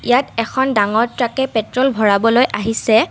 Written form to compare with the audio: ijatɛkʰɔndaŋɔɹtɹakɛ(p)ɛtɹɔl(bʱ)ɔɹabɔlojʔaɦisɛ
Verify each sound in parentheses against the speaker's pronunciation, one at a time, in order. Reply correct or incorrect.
correct, correct

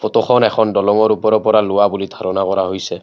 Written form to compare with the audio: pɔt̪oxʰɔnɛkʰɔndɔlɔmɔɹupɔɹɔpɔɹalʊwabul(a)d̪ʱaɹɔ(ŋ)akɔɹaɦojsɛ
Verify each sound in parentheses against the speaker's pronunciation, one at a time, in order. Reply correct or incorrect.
incorrect, incorrect

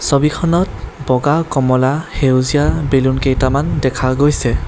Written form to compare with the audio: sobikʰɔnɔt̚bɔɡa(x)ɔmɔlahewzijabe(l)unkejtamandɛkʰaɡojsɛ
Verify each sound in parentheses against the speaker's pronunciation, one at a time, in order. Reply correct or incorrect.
incorrect, correct

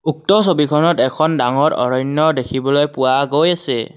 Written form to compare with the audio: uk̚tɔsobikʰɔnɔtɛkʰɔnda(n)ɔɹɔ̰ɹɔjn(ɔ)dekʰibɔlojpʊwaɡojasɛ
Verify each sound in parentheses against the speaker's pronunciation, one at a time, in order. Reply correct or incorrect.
incorrect, correct

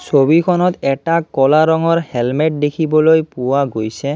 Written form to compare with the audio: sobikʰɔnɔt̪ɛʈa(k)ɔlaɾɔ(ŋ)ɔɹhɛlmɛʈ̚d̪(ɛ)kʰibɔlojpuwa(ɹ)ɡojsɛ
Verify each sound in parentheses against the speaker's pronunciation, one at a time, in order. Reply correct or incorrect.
correct, correct, incorrect, incorrect

